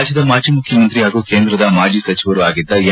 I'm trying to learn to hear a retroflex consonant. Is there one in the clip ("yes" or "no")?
no